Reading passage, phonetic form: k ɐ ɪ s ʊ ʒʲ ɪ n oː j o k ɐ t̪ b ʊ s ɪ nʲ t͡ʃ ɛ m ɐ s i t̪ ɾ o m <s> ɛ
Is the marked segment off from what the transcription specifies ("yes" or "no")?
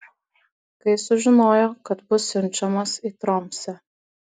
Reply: no